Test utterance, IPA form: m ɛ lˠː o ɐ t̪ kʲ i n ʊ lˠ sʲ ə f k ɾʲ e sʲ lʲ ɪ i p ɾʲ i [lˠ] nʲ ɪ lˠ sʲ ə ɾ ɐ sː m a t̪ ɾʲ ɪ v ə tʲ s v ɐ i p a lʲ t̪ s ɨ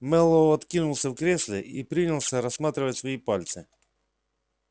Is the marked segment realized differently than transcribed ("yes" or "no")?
yes